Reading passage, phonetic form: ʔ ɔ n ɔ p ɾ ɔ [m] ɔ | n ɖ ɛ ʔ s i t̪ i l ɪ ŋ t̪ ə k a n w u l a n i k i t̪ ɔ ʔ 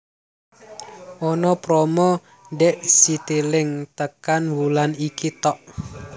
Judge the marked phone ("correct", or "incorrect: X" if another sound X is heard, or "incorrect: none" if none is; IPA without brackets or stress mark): correct